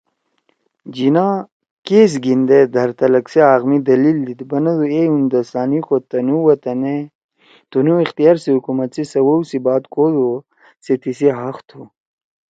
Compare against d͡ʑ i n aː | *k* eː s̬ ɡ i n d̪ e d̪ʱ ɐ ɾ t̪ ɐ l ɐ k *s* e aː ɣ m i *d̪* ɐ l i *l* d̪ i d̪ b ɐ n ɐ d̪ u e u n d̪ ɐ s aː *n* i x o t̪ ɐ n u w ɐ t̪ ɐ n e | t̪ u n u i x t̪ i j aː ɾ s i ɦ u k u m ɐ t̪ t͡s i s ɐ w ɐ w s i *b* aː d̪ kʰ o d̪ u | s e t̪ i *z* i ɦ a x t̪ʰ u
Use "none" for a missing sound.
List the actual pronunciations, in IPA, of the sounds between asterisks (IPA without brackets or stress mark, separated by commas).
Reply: k, s, d̪, l, n, b, s